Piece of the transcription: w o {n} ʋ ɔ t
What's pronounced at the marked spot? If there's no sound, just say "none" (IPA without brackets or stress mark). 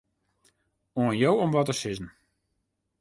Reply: m